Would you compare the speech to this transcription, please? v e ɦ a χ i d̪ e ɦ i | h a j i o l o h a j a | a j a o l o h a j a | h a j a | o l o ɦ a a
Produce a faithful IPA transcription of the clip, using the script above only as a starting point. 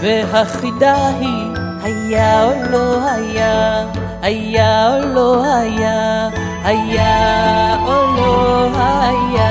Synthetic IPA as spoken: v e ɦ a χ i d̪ a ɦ i | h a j a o l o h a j a | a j a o l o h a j a | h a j a | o l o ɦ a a